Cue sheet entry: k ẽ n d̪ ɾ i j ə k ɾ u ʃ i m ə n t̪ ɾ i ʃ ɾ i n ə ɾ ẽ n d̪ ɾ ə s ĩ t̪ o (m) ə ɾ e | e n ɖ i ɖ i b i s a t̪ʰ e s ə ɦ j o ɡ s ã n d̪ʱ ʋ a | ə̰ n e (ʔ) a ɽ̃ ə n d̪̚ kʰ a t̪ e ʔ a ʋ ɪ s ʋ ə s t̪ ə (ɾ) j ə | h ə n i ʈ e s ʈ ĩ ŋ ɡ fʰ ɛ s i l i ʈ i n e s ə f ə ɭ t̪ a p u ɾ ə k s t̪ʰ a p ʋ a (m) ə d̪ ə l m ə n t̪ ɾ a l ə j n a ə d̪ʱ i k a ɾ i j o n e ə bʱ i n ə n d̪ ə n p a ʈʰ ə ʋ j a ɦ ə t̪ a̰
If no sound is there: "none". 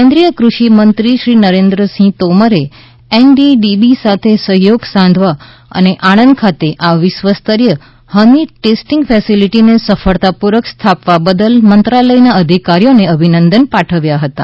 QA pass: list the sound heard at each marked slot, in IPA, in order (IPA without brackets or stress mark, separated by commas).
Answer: m, ʔ, ɾ, b